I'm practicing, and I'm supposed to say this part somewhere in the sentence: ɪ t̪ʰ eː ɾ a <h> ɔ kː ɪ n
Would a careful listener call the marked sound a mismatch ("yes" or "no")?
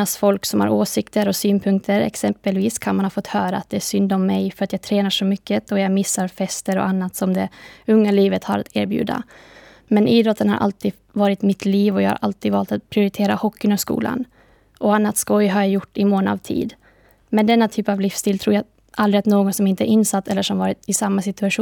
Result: no